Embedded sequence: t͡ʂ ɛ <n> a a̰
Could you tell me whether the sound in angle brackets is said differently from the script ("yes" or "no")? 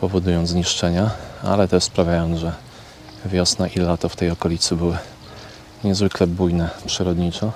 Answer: yes